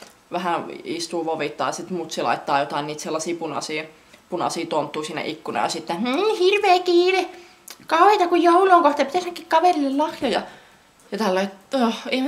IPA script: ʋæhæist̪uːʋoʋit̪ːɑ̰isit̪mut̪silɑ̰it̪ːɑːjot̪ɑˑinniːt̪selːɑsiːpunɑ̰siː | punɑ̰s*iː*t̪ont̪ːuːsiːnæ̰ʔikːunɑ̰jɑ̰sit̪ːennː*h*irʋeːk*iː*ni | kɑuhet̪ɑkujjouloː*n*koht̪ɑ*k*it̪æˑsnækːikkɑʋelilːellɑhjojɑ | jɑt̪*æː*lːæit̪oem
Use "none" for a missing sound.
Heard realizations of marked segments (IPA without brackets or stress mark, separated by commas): iː, h, iː, ŋ, p, æ